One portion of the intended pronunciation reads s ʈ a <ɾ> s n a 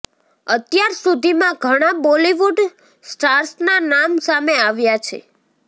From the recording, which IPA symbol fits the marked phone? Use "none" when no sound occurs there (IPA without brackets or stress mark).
ɾ